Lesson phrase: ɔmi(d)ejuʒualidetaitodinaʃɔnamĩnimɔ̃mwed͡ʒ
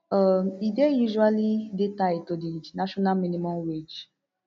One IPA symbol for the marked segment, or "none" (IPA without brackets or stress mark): d